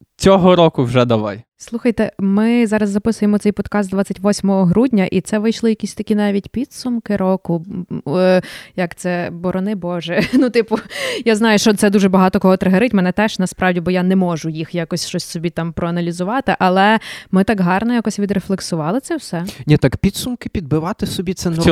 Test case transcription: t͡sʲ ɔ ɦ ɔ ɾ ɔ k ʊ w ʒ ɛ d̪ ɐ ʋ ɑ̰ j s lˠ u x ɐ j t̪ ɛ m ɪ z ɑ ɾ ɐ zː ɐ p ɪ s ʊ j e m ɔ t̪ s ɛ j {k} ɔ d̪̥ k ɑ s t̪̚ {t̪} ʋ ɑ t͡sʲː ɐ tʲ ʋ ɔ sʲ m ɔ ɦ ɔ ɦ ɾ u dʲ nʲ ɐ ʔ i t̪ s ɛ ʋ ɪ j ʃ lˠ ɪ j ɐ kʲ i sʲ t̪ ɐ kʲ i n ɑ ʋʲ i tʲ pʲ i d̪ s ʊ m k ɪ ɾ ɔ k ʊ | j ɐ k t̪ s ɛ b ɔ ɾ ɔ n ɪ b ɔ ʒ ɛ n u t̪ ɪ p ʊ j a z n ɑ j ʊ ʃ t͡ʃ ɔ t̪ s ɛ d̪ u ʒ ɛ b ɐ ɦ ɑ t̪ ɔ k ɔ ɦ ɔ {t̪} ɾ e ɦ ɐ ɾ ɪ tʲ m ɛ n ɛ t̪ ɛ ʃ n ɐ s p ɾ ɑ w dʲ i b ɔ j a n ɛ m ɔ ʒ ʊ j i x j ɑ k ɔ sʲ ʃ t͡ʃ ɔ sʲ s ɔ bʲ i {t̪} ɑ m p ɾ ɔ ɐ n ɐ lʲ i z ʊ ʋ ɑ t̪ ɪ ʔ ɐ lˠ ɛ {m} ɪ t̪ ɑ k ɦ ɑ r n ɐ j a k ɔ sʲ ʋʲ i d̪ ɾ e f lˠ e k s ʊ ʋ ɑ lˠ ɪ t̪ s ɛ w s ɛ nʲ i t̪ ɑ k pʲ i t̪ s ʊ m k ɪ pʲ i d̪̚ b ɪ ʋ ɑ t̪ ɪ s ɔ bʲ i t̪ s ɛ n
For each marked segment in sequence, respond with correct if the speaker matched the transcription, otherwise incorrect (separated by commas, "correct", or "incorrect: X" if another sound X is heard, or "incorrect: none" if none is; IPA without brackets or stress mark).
incorrect: p, incorrect: d̪, correct, correct, correct